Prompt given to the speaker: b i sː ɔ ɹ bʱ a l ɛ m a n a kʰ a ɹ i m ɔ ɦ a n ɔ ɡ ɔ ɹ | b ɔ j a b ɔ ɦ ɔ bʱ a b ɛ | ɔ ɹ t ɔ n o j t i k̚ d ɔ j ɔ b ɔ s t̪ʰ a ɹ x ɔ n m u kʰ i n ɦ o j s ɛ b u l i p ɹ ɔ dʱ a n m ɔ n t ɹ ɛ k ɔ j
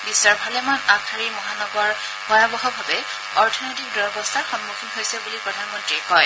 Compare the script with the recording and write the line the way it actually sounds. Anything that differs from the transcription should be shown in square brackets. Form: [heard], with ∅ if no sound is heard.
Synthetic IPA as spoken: b i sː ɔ ɹ bʱ a l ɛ m a n a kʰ a ɹ i m ɔ ɦ a n ɔ ɡ ɔ ɹ | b ɔ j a b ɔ ɦ ɔ bʱ a b ɛ | ɔ ɹ [tʰ] ɔ n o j t i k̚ d ɔ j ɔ b ɔ s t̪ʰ a ɹ x ɔ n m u kʰ i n ɦ o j s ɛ b u l i p ɹ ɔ dʱ a n m ɔ n t ɹ [i] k ɔ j

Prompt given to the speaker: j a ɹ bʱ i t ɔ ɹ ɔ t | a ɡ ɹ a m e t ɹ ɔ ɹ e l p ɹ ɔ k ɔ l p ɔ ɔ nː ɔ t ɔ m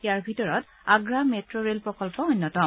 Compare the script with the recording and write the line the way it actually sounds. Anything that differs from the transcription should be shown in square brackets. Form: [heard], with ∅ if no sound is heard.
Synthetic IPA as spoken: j a ɹ bʱ i t ɔ ɹ ɔ t | a ɡ ɹ a m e t ɹ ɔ ɹ e l p ɹ ɔ k ɔ l p ɔ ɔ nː ɔ t ɔ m

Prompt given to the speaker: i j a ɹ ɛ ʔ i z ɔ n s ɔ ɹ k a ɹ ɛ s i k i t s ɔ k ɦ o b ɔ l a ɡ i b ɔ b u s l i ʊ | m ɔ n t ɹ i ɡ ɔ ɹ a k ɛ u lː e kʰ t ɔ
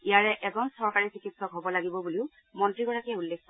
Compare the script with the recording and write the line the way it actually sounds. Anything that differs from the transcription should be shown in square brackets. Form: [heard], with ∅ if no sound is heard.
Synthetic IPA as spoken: i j a ɹ ɛ ʔ [ɛ] z ɔ n s ɔ ɹ k a ɹ [i] s i k i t s ɔ k ɦ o b ɔ l a ɡ i b ɔ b u [∅] l i ʊ | m ɔ n t ɹ i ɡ ɔ ɹ a k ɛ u lː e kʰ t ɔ

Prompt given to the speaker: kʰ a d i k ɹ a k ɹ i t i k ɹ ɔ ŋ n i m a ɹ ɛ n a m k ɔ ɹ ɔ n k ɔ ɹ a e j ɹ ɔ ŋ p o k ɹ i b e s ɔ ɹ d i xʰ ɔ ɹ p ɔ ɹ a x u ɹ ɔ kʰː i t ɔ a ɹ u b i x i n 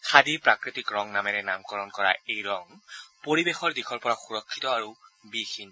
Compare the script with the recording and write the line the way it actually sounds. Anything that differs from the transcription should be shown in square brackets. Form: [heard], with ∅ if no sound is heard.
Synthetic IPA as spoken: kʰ a d i [p] ɹ a k ɹ i t i k ɹ ɔ ŋ n [a] m [ɛ] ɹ ɛ n a m k ɔ ɹ ɔ n k ɔ ɹ a e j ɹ ɔ ŋ p o [∅] ɹ i b e [x] ɔ ɹ d i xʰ ɔ ɹ p ɔ ɹ a x u ɹ ɔ kʰː i t ɔ a ɹ u b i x i n

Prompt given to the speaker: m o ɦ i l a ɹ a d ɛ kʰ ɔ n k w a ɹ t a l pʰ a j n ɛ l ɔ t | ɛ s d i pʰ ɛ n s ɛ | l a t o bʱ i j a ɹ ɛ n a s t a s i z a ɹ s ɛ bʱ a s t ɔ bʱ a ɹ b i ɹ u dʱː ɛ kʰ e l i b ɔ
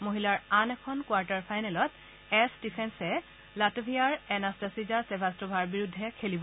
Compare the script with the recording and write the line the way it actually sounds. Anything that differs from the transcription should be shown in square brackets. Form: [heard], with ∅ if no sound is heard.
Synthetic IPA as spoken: m o ɦ i l a ɹ a [n] ɛ kʰ ɔ n k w a ɹ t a [ɹ] pʰ a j n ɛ l ɔ t | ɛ s d i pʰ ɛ n s ɛ | l a t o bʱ i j a ɹ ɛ n a s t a s i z a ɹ s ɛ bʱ a s t ɔ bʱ a ɹ b i ɹ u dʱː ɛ kʰ e l i b ɔ

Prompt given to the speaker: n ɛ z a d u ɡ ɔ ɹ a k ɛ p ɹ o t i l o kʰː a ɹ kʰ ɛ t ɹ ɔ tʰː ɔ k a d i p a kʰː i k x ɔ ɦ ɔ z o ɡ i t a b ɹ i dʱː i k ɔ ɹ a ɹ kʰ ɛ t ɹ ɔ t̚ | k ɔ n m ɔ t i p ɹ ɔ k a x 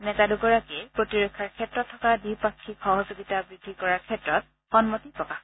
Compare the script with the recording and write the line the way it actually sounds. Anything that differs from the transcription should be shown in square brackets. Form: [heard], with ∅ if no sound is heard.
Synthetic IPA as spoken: n ɛ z a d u ɡ ɔ ɹ a k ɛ p ɹ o t i [ɹ] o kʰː a ɹ kʰ ɛ t ɹ ɔ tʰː ɔ k a d i p a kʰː i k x ɔ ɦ ɔ z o ɡ i t a b ɹ i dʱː i k ɔ ɹ a ɹ kʰ ɛ t ɹ ɔ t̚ | [x] ɔ n m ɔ t i p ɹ ɔ k a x

